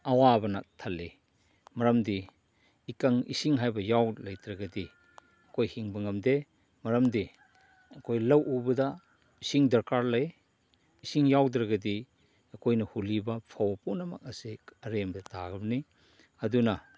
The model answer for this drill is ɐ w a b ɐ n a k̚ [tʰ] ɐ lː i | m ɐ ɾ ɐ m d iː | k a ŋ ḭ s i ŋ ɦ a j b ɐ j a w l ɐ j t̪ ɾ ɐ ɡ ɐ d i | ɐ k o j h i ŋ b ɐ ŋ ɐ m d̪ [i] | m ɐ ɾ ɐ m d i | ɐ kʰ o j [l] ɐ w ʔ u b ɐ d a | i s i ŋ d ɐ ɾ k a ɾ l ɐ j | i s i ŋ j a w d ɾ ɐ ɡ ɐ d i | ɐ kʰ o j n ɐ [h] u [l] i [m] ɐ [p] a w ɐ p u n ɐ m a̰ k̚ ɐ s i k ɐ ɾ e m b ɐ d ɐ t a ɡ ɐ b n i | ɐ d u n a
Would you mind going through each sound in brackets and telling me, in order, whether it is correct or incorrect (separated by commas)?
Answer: correct, incorrect, correct, correct, correct, incorrect, incorrect